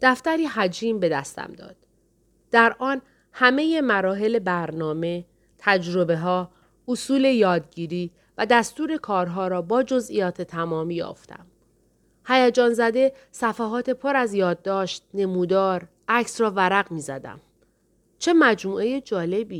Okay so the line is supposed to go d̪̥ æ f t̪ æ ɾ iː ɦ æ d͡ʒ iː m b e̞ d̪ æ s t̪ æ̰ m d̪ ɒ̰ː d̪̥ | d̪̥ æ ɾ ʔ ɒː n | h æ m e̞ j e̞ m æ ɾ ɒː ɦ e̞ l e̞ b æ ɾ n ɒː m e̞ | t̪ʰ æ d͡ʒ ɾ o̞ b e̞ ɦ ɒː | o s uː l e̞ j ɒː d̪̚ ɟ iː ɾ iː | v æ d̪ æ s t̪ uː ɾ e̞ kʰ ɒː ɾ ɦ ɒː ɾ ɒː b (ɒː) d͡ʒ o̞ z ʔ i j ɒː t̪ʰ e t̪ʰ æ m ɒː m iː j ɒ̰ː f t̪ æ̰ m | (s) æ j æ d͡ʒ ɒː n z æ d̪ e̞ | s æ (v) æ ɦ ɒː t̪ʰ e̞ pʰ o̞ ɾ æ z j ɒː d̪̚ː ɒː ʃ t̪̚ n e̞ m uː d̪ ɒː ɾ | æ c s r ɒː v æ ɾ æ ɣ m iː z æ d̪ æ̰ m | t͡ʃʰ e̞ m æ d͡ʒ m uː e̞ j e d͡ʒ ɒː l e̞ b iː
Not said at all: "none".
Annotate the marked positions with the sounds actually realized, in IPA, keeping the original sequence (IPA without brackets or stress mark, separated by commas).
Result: ɒː, h, f